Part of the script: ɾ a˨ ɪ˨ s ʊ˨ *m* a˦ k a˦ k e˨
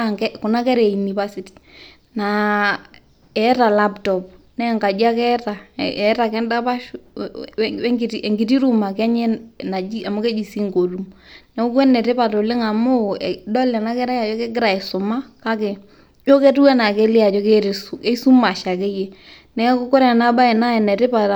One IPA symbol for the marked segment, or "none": m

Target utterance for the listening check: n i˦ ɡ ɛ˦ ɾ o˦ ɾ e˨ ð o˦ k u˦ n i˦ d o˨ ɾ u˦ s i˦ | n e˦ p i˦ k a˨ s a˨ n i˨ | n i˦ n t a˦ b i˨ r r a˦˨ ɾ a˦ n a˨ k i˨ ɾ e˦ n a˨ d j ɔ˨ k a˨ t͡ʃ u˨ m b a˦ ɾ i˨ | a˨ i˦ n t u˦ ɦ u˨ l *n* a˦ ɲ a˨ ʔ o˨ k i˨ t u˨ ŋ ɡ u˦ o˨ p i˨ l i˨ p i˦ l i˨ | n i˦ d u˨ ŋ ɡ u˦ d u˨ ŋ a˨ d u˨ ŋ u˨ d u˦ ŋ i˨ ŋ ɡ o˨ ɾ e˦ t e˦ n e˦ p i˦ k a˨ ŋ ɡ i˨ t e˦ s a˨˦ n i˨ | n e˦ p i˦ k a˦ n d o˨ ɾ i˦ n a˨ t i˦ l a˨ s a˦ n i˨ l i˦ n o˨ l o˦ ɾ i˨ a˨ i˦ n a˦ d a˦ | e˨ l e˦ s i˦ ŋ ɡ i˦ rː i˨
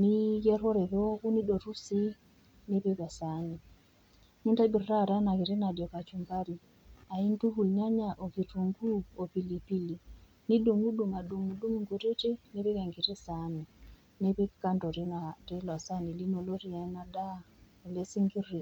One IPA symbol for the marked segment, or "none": ɲ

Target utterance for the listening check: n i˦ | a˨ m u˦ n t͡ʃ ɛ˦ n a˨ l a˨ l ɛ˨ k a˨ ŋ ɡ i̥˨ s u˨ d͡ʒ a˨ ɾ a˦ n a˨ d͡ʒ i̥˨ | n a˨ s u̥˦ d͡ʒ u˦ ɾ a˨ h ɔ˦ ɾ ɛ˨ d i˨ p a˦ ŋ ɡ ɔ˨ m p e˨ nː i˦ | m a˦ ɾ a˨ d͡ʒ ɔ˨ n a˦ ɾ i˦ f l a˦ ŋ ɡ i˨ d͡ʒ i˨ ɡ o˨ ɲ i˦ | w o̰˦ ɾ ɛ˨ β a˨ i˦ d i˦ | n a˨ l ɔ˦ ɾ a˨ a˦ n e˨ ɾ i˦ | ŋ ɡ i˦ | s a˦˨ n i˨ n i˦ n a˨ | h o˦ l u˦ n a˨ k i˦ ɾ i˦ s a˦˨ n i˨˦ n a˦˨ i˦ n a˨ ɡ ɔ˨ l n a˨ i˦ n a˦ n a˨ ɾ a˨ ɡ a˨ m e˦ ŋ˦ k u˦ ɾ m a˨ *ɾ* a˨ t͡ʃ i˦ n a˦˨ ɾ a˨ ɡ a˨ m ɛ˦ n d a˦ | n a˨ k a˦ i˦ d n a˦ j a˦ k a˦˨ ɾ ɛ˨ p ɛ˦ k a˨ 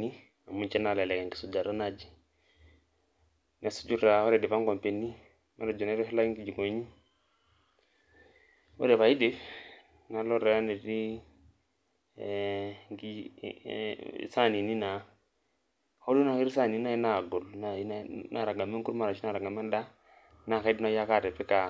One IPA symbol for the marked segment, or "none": ɾ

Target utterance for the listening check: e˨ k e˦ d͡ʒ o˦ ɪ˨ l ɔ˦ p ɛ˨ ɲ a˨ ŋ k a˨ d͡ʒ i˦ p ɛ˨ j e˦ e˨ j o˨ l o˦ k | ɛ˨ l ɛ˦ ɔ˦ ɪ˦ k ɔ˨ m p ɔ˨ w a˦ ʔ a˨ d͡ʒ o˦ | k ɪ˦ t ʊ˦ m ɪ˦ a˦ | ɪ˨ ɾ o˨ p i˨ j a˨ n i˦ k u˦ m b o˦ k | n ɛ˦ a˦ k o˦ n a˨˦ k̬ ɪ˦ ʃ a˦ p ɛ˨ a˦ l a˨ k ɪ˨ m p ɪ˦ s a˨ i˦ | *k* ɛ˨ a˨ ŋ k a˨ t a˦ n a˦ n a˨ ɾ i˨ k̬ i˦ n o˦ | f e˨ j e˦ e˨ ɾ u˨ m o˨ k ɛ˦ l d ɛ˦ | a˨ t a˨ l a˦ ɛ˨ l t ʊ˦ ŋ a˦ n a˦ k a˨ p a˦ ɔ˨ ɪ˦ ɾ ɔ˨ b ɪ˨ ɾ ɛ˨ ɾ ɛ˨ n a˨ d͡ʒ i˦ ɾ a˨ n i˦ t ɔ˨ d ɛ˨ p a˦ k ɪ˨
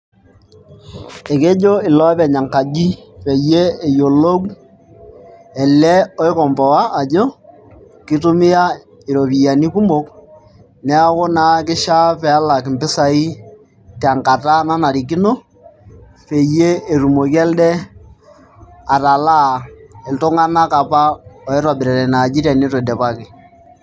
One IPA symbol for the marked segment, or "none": t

